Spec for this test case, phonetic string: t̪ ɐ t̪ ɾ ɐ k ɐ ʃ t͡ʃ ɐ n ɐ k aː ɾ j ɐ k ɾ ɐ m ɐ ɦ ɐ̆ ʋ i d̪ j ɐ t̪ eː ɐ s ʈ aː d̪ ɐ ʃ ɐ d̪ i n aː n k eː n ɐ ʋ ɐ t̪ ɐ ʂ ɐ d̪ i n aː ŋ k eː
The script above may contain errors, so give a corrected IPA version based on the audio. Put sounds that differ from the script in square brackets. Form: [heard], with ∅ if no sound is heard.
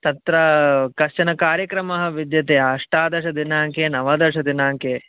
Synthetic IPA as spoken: t̪ ɐ t̪ ɾ ɐ k ɐ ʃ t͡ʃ ɐ n ɐ k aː ɾ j ɐ k ɾ ɐ m ɐ ɦ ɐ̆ ʋ i d̪ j ɐ t̪ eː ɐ [ʂ] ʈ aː d̪ ɐ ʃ ɐ d̪ i n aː [ŋ] k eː n ɐ ʋ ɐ [d̪] ɐ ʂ ɐ d̪ i n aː ŋ k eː